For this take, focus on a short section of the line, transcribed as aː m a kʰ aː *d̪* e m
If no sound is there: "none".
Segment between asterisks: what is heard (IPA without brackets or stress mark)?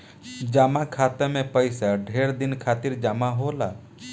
t̪